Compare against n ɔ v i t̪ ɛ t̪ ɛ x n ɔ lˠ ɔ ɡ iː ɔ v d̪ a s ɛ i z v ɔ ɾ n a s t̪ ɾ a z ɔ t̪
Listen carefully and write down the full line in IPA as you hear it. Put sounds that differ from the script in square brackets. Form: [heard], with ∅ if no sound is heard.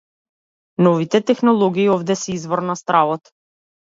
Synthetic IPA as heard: n ɔ v i t̪ ɛ t̪ ɛ x n ɔ lˠ ɔ ɡ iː ɔ v d̪ [ɛ] s ɛ i z v ɔ ɾ n a s t̪ ɾ a [v] ɔ t̪